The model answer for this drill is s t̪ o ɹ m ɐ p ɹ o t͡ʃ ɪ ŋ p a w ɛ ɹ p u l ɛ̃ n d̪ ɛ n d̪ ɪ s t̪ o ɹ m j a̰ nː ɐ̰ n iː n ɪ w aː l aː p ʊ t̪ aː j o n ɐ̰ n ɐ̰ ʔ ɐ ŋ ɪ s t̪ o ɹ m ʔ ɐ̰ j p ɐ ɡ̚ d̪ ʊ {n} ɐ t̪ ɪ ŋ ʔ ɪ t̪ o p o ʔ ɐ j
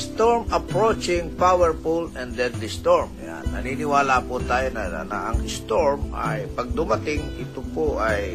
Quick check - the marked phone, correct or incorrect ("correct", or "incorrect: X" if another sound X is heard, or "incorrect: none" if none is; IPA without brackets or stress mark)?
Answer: incorrect: m